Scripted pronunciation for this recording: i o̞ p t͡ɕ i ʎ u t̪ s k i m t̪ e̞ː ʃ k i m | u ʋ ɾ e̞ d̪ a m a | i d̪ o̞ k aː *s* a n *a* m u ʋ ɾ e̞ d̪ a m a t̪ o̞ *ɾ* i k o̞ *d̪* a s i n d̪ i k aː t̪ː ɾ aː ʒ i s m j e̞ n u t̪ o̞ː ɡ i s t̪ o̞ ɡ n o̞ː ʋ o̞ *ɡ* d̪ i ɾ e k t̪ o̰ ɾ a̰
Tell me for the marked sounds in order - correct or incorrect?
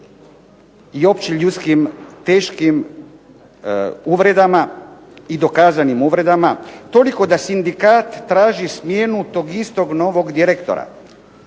incorrect: z, incorrect: i, incorrect: l, correct, correct

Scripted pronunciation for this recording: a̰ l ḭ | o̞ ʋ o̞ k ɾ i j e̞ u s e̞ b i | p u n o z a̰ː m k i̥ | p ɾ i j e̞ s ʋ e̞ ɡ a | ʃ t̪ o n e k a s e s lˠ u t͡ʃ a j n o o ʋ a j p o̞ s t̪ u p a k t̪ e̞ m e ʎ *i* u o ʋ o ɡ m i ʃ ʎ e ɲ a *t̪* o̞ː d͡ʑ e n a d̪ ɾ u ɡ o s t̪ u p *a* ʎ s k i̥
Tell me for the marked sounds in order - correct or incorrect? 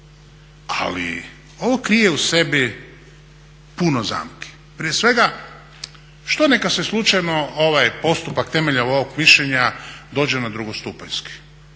incorrect: a, incorrect: d̪, correct

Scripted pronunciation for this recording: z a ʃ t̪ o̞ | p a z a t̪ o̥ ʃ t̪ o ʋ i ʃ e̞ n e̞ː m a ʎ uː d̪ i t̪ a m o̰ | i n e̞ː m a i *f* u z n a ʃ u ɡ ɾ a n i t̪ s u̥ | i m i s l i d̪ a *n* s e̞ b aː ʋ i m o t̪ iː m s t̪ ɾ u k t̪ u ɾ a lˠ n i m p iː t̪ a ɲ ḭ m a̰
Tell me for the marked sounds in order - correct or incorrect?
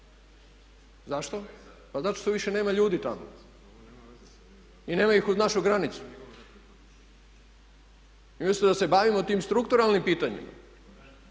incorrect: x, incorrect: none

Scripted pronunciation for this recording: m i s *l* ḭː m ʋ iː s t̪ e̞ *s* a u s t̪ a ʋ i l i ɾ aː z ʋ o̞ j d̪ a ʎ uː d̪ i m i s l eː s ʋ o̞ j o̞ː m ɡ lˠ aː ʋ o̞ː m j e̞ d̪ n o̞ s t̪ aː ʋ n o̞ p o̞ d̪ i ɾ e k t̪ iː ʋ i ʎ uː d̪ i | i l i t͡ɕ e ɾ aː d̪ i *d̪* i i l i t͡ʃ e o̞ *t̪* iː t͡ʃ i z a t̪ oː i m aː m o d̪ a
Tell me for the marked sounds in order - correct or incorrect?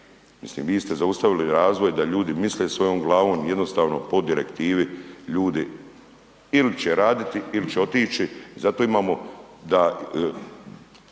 correct, incorrect: z, incorrect: t̪, correct

